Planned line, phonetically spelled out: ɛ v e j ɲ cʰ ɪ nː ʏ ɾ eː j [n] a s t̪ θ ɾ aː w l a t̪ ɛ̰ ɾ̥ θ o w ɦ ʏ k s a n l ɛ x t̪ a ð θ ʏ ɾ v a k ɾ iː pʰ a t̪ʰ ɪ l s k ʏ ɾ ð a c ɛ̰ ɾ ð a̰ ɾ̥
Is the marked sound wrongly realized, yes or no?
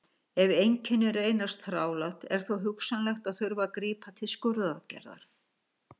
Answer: no